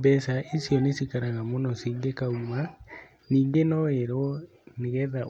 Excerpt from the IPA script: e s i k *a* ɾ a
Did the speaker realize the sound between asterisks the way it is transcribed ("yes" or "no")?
yes